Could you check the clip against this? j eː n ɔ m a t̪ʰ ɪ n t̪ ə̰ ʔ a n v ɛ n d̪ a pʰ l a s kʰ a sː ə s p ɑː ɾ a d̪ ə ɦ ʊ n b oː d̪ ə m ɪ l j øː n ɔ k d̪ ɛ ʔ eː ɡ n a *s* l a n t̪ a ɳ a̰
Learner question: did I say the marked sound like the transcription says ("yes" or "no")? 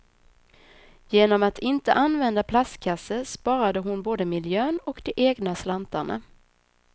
yes